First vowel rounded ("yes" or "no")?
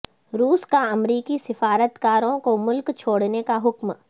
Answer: yes